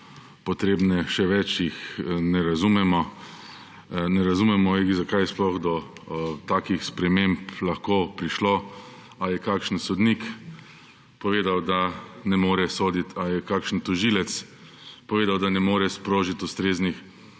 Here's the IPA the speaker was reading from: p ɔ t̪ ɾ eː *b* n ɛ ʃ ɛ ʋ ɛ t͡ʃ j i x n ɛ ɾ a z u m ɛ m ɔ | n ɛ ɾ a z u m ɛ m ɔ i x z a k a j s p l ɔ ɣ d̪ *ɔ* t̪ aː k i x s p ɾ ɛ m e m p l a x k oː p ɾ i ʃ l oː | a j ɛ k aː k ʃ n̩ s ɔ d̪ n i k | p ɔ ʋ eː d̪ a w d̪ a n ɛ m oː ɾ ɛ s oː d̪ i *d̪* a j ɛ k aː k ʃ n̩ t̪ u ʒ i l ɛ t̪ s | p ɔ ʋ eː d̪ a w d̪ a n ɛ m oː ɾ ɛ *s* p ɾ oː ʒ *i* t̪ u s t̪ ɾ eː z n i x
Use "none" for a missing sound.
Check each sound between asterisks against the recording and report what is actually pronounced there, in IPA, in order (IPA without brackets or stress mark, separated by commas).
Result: b, ɔ, t̪, s, i